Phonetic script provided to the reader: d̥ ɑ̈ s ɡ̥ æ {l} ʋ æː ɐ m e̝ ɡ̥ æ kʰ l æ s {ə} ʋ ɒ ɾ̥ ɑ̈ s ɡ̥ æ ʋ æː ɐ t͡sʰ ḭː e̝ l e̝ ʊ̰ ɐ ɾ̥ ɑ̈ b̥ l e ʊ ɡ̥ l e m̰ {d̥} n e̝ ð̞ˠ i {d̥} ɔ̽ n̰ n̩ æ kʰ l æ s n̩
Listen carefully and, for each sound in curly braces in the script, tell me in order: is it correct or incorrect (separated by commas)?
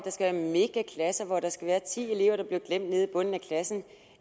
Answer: incorrect, incorrect, correct, incorrect